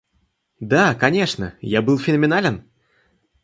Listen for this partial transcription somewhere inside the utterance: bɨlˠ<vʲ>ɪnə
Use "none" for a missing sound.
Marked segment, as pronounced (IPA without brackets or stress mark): fʲ